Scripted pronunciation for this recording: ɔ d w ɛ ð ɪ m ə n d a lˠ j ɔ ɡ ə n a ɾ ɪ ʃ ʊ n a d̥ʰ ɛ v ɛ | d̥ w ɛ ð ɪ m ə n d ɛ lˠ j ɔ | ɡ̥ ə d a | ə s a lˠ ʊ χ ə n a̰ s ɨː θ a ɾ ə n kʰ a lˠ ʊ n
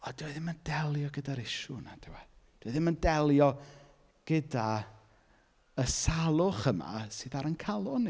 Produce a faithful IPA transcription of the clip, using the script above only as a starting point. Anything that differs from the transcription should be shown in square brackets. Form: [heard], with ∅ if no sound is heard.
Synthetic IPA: ɔ d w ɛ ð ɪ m ə n d [ɛ] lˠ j ɔ ɡ ə [d] a ɾ ɪ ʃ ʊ n a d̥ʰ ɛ [w] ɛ | d̥ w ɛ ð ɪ m ə n d ɛ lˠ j ɔ | ɡ̥ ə d a | ə s a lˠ ʊ χ ə [m] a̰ s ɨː [ð] a ɾ ə n kʰ a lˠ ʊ n